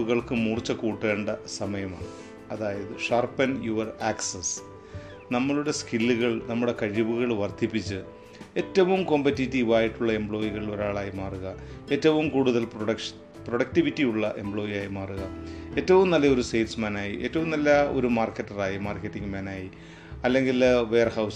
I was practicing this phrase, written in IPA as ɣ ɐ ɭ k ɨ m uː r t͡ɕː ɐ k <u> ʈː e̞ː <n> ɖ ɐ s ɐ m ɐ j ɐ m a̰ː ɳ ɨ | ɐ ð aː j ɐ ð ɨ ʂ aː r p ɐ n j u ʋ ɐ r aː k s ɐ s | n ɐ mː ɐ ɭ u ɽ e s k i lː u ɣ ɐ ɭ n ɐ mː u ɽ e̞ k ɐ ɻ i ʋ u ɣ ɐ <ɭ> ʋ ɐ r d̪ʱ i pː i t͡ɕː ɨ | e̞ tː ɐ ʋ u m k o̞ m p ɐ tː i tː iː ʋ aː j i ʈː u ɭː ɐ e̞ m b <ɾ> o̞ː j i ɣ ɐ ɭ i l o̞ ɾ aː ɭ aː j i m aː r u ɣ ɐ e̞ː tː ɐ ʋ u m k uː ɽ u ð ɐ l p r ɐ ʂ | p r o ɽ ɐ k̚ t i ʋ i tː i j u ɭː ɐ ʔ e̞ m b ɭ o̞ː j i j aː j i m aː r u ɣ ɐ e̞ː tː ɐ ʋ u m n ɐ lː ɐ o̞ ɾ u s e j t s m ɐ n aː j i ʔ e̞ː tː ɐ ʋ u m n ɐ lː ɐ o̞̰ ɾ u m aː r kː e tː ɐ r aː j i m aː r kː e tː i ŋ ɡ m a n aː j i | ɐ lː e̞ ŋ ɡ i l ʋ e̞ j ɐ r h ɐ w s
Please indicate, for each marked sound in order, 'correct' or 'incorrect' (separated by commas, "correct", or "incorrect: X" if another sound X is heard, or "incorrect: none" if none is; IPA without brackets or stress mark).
incorrect: uː, incorrect: ɳ, correct, incorrect: ɭ